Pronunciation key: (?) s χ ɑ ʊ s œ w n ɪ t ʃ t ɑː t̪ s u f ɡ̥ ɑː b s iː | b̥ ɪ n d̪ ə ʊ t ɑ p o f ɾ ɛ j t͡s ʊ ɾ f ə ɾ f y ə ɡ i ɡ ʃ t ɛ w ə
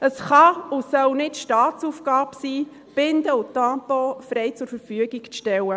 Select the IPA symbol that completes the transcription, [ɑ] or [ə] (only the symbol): ə